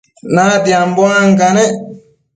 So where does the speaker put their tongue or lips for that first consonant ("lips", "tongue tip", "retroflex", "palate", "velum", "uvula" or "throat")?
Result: tongue tip